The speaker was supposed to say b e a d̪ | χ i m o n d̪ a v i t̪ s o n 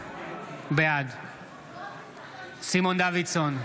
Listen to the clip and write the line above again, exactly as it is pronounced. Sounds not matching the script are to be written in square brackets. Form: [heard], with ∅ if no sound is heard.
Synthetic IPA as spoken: b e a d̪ | [s] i m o n d̪ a v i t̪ s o n